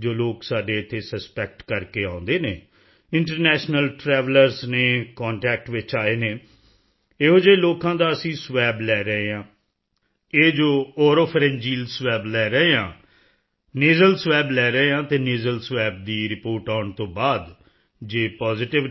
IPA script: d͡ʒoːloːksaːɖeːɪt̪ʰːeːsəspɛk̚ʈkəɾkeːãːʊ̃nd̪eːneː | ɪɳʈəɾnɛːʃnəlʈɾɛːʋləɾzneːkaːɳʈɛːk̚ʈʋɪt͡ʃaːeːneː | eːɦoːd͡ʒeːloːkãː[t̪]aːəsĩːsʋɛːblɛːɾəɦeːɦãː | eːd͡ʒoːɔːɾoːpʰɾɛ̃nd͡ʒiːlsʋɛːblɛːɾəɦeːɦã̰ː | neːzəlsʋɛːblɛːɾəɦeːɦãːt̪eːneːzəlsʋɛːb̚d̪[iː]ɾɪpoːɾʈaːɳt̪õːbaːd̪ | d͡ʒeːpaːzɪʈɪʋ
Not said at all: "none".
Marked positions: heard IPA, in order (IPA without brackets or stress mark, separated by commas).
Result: d̪, iː